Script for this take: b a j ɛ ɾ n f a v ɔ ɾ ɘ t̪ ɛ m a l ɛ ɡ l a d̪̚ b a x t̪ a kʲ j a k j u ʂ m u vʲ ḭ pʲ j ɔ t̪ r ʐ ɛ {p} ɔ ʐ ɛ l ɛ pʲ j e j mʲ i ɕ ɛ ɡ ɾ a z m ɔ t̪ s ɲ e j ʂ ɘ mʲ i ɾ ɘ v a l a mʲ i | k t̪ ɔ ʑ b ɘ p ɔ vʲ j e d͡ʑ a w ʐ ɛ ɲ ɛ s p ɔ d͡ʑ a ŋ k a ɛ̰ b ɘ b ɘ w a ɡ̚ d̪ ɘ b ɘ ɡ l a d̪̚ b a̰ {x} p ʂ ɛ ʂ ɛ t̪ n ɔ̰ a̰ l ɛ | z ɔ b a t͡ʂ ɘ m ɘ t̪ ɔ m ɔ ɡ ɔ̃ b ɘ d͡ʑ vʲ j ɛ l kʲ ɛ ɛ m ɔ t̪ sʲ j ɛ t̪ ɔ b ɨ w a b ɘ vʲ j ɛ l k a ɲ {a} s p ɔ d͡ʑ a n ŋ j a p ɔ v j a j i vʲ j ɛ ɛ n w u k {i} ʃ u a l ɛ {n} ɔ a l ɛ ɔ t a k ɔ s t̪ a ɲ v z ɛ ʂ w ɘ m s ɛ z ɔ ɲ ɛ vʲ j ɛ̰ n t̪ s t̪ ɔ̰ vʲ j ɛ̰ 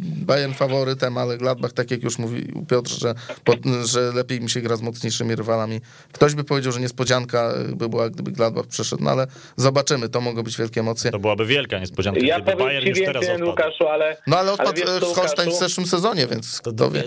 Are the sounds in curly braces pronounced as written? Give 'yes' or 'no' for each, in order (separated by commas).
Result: yes, yes, no, no, yes